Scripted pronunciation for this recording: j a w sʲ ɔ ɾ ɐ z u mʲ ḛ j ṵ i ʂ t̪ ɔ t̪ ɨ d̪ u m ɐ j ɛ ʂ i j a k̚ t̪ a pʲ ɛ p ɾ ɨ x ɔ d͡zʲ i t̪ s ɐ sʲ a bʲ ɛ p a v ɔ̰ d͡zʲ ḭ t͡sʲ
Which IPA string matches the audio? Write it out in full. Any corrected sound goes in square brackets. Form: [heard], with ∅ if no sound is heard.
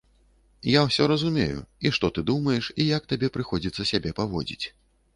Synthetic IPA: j a w sʲ ɔ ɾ ɐ z u mʲ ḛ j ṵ i ʂ t̪ ɔ t̪ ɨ d̪ u m ɐ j ɛ ʂ i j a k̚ t̪ a [bʲ] ɛ p ɾ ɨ x ɔ d͡zʲ i t̪ s ɐ sʲ a bʲ ɛ p a v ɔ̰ d͡zʲ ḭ t͡sʲ